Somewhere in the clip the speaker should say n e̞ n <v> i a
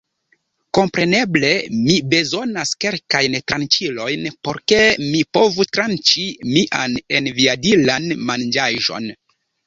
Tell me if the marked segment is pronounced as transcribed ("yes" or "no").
yes